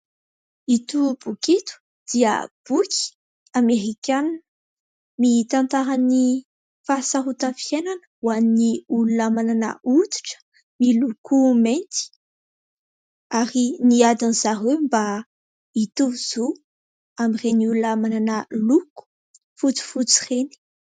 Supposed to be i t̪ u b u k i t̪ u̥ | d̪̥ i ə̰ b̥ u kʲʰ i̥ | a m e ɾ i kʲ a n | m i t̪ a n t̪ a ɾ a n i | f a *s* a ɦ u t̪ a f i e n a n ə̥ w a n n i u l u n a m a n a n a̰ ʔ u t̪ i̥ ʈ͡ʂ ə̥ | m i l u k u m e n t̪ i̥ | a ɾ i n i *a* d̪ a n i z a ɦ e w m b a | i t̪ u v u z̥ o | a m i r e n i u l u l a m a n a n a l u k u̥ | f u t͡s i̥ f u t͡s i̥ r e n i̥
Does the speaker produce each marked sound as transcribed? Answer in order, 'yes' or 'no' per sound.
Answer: yes, yes

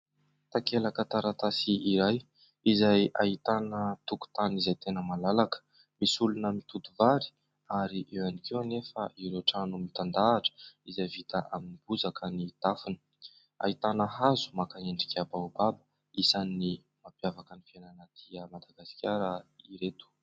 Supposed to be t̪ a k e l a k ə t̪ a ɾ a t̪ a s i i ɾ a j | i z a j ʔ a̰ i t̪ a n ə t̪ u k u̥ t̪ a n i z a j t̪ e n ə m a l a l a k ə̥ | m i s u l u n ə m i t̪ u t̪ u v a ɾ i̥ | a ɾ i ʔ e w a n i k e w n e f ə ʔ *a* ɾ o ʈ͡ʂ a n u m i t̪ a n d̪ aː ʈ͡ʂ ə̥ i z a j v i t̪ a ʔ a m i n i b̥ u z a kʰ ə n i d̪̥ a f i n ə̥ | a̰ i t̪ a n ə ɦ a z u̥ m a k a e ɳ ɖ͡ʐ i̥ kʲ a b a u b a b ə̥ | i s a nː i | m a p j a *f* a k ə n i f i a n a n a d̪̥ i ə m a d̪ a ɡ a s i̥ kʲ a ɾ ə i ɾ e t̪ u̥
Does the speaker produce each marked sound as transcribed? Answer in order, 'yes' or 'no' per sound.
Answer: no, no

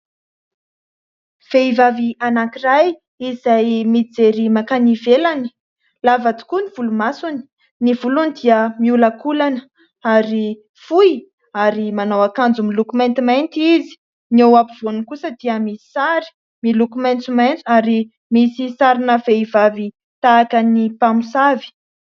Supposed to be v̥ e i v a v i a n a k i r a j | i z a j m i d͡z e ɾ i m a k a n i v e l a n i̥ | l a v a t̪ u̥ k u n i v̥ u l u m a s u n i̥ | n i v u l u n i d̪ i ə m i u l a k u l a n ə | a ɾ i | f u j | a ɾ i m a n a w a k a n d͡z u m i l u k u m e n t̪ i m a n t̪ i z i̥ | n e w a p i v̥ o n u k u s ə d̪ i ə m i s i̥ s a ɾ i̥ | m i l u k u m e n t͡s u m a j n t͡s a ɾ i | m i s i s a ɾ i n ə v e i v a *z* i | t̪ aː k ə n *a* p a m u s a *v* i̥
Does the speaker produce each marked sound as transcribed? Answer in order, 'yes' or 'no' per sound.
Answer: no, no, yes

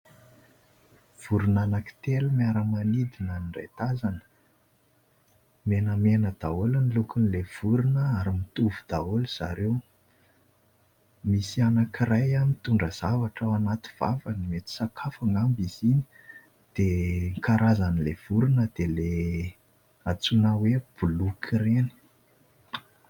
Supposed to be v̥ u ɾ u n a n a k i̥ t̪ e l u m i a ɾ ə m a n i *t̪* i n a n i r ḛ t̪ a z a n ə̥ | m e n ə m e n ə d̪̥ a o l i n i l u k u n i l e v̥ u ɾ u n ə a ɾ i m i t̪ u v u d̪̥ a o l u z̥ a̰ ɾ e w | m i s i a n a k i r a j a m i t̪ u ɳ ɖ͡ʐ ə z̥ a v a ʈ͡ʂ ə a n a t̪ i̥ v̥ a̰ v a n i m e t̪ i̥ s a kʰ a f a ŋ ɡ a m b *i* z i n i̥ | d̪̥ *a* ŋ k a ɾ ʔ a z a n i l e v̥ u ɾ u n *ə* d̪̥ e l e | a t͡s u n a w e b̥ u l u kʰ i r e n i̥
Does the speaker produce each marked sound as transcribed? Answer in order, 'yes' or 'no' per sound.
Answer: no, yes, no, yes

